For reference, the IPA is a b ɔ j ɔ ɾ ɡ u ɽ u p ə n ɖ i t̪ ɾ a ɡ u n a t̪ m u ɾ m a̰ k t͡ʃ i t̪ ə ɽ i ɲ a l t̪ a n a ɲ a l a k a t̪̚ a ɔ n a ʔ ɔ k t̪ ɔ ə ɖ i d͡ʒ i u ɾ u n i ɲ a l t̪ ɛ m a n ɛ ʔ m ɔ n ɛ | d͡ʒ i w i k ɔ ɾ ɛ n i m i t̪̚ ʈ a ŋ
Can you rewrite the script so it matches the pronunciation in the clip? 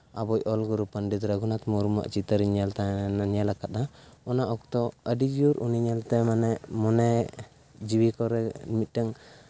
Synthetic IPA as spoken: a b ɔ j ɔ l ɡ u ɾ u p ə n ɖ i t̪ ɾ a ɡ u n a t̪ m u ɾ m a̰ ʔ t͡ʃ i t̪ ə ɾ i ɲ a l t̪ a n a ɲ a l a k a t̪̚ a ɔ n a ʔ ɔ k t̪ ɔ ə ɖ i d͡ʒ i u ɾ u n i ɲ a l t̪ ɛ m a n ɛ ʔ m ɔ n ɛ | d͡ʒ i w i k ɔ ɾ ɛ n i m i t̪̚ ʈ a ŋ